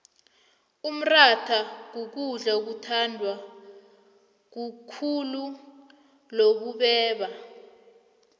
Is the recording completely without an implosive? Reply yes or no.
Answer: no